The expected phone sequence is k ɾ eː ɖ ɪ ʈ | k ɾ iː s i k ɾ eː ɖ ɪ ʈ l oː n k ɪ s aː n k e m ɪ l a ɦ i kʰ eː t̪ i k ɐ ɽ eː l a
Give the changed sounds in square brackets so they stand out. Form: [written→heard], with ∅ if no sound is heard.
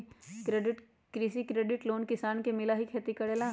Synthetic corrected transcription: k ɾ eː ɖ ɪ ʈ | k ɾ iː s i k ɾ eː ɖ ɪ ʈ l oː n k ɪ s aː n k e m ɪ l a ɦ i kʰ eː t̪ i k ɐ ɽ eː l a

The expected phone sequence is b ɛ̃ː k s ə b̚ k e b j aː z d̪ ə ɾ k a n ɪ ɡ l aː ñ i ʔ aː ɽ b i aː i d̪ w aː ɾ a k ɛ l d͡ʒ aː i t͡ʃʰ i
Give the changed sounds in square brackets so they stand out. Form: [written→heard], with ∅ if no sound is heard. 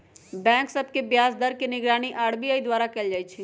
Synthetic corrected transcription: b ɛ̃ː k s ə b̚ k e b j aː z d̪ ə ɾ k [a→e] n ɪ ɡ [l→ɾ] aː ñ i ʔ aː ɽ b i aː i d̪ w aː ɾ a k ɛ l d͡ʒ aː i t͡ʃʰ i

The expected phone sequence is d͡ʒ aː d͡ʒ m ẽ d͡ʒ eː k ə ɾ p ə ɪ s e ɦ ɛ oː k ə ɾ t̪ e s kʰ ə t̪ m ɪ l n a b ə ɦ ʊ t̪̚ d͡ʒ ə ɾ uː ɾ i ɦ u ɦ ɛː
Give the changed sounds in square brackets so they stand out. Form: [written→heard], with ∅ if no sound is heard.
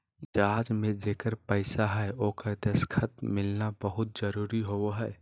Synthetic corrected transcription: d͡ʒ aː d͡ʒ m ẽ d͡ʒ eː k ə ɾ p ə ɪ s [e→a] ɦ ɛ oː k ə ɾ [t̪→d̪] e s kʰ ə t̪ m ɪ l n a b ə ɦ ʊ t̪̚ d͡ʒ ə ɾ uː ɾ i ɦ [u→o] ɦ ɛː

